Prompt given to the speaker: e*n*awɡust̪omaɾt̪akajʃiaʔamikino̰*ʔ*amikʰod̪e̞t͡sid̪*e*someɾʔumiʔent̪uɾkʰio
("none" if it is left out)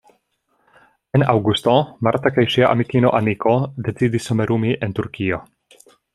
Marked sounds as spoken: n, ʔ, i

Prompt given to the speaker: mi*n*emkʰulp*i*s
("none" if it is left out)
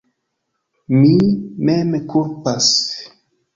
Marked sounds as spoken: m, a

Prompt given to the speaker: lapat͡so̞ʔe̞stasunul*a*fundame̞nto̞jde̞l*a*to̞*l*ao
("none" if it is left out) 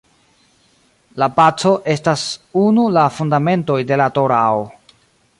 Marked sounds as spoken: a, a, ɾ

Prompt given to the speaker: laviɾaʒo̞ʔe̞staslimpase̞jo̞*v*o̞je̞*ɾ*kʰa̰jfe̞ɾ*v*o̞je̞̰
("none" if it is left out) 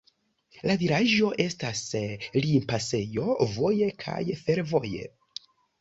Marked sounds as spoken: v, none, v

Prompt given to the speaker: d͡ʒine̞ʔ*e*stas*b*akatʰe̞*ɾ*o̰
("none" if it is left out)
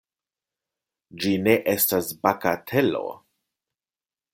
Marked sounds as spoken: e, b, l

